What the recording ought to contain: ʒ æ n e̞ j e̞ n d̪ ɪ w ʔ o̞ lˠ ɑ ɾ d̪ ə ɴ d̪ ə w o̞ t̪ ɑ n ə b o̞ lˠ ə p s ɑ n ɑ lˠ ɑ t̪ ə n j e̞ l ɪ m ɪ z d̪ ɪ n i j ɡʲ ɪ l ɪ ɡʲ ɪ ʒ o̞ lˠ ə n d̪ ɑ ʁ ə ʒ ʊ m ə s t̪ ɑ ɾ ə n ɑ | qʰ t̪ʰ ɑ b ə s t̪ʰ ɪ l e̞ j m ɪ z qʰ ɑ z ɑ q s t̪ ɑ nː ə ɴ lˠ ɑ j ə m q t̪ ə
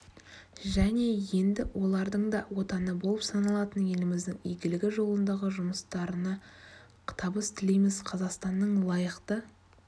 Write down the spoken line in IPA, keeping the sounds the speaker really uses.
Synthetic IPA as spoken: ʒ æ n e̞ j e̞ n d̪ ɪ w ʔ o̞ lˠ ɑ ɾ d̪ ə ɴ d̪ ɑ w o̞ t̪ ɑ n ə b o̞ lˠ ə p s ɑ n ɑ lˠ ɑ t̪ ə n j e̞ l ɪ m ɪ z d̪ ɪ ŋ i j ɡʲ ɪ l ɪ ɡʲ ɪ ʒ o̞ lˠ ə n d̪ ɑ ʁ ə ʒ ʊ m ə s t̪ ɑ ɾ ə n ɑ | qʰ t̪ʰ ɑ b ə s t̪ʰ ɪ l e̞ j m ɪ z qʰ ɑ z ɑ q s t̪ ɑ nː ə ɴ lˠ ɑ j ə q t̪ ə

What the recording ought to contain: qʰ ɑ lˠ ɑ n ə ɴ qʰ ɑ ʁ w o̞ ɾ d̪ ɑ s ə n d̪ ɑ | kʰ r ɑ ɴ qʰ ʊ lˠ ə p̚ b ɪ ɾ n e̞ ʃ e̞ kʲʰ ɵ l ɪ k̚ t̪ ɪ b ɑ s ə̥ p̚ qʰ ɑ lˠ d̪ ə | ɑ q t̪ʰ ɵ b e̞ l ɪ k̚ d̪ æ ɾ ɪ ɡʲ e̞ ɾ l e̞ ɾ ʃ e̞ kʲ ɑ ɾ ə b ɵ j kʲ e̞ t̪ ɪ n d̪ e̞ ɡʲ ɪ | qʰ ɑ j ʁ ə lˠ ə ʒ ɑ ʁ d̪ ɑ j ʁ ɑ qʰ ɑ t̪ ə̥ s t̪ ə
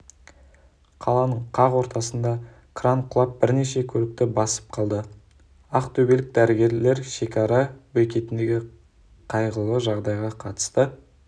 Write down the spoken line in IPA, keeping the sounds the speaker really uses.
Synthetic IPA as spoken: qʰ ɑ lˠ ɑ n ə ɴ qʰ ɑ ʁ w o̞ ɾ t̪ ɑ s ə n d̪ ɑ | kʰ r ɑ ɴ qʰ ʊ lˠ ɑ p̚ b ɪ ɾ n e̞ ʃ e̞ kʲʰ ɵ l ɪ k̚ t̪ ɪ b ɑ s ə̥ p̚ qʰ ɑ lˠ d̪ ə | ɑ q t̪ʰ ɵ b e̞ l ɪ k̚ d̪ æ ɾ ɪ ɡʲ e̞ ɾ l e̞ ɾ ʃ e̞ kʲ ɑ ɾ ɑ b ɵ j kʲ e̞ t̪ ɪ n d̪ e̞ ɡʲ ɪ | qʰ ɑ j ʁ ə lˠ ə ʒ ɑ ʁ d̪ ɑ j ʁ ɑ qʰ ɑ t̪ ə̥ s t̪ ə

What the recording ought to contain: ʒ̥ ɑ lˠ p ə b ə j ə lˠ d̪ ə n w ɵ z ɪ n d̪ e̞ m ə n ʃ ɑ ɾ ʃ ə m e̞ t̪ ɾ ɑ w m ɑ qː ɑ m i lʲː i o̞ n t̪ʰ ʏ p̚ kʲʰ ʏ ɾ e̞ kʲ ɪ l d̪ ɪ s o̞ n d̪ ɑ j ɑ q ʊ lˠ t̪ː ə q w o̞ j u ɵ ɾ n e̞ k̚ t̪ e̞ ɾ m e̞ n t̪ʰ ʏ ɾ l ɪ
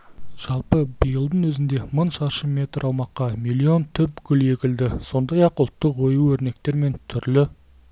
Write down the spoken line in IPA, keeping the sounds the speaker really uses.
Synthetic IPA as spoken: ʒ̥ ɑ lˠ p ə b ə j ə lˠ d̪ ə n w ɵ z ɪ n d̪ e̞ m ə n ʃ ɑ ɾ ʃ ə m e̞ t̪ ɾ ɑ w m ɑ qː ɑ m i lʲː i o̞ n t̪ʰ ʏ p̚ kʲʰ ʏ l e̞ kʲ ɪ l d̪ ɪ s o̞ n d̪ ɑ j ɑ q ʊ lˠ t̪ː ə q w o̞ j u ɵ ɾ n e̞ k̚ t̪ e̞ ɾ m e̞ n t̪ʰ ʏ ɾ l ɪ

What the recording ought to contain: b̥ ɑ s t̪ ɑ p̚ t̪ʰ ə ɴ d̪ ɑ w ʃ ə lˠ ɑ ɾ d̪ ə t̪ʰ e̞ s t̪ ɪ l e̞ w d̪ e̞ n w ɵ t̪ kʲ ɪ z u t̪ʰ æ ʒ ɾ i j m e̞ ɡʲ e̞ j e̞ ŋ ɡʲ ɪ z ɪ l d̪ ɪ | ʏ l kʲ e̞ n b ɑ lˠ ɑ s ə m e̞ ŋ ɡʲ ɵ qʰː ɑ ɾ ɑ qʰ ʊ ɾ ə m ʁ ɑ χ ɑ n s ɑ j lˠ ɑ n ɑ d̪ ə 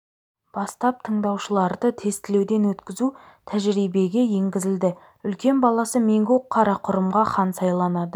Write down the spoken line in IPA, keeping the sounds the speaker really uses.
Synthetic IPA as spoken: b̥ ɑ s t̪ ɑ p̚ t̪ʰ ə ɴ d̪ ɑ w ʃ ə lˠ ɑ ɾ d̪ ə t̪ʰ e̞ s t̪ ɪ l e̞ w d̪ e̞ n w ɵ t̪ kʲ ɪ z u t̪ʰ æ ʒ ɾ i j b e̞ ɡʲ e̞ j e̞ ŋ ɡʲ ɪ z ɪ l d̪ ɪ | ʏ l kʲ e̞ n b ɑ lˠ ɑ s ə m e̞ ŋ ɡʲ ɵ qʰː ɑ ɾ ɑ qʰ ʊ ɾ ə m ʁ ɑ χ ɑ n s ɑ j lˠ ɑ n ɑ d̪ ə

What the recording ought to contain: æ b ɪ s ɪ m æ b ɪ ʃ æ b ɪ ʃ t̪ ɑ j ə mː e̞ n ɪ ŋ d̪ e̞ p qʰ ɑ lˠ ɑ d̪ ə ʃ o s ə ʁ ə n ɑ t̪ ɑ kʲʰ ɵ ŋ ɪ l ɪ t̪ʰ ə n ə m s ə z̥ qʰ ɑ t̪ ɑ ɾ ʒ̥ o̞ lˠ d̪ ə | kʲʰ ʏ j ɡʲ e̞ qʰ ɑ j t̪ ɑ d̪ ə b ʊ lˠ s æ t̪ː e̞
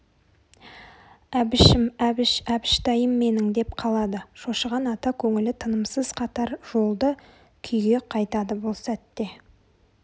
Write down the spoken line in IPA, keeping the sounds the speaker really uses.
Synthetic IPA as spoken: æ b ɪ ʃ ɪ m æ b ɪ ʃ æ b ɪ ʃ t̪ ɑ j ə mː e̞ n ɪ ŋ d̪ e̞ p qʰ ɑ lˠ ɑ d̪ ə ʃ o ʃ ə ʁ ɑ n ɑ t̪ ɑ kʲʰ ɵ ŋ ɪ l ɪ t̪ʰ ə n ə m s ə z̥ qʰ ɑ t̪ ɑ ɾ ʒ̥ o̞ lˠ d̪ ə | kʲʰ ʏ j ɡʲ e̞ qʰ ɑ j t̪ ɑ d̪ ə b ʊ lˠ s æ t̪ː e̞

